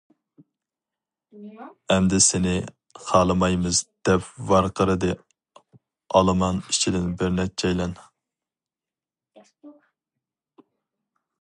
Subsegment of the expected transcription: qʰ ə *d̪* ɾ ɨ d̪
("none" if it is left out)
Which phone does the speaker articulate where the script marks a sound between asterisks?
none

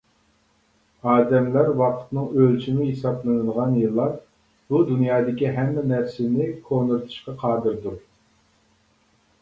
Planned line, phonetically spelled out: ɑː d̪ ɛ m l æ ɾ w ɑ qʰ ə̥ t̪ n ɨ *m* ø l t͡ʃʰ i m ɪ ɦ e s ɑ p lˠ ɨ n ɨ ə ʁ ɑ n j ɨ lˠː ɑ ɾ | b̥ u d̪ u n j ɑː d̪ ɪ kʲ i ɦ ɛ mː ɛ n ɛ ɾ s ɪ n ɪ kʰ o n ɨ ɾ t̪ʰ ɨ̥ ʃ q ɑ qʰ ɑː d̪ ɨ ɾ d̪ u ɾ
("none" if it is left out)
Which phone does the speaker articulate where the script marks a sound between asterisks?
ŋ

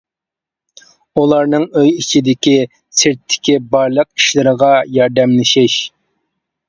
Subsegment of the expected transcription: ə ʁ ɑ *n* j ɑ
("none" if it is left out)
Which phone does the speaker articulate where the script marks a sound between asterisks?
none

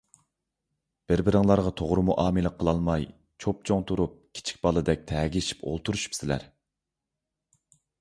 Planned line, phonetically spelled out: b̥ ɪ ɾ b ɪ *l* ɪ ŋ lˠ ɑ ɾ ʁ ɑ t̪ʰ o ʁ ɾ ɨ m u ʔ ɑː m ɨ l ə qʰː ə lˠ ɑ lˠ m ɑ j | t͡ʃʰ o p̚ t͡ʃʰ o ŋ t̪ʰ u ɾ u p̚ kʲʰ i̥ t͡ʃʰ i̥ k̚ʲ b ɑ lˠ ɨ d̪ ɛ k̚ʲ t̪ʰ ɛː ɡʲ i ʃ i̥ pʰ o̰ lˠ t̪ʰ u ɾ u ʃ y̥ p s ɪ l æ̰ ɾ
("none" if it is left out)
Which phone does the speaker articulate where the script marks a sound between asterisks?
ɾ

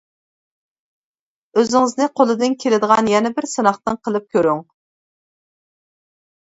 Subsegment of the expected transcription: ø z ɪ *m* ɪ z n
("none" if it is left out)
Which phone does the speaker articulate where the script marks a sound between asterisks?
ŋ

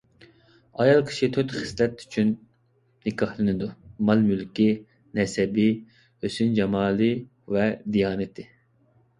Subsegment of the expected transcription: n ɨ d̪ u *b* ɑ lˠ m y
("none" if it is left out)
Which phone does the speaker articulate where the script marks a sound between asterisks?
m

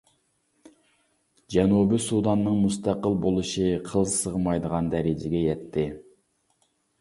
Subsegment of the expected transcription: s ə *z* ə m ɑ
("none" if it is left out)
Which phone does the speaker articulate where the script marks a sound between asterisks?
ʁ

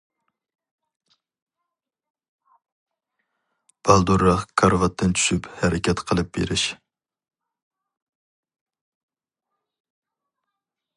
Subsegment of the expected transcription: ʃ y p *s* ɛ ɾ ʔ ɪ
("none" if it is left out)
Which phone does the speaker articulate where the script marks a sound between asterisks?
h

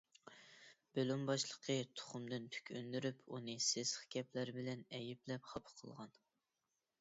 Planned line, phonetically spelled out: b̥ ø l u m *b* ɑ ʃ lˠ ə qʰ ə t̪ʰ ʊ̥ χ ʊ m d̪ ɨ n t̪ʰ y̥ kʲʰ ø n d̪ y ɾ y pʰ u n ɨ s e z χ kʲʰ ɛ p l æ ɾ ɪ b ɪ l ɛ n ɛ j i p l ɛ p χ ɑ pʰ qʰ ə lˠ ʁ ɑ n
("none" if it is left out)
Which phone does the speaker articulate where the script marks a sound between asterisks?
b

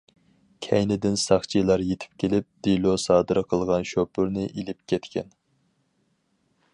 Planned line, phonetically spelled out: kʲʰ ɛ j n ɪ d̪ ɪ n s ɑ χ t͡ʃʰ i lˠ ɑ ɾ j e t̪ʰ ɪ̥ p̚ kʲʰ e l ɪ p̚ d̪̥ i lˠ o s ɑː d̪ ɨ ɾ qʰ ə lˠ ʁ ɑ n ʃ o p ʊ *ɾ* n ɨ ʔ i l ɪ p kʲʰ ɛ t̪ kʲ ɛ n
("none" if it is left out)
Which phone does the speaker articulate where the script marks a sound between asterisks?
ɾ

